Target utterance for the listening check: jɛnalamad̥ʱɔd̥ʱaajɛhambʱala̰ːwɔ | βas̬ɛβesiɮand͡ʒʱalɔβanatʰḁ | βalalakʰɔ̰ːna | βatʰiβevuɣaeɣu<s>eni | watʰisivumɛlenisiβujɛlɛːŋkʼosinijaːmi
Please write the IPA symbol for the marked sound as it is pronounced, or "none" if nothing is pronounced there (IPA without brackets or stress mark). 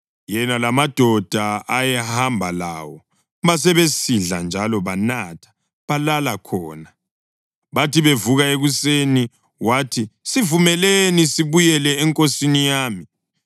s